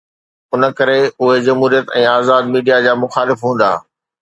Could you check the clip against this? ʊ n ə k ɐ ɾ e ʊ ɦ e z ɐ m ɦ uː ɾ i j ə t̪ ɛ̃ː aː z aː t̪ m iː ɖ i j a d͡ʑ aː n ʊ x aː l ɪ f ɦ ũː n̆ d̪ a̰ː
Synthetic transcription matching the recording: ʊ n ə k ɐ ɾ e ʊ ɦ e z ɐ m ɦ uː ɾ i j ə t̪ ɛ̃ː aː z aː d̪ m iː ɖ i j a d͡ʑ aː m ʊ x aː l ɪ f ɦ ũː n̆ d̪ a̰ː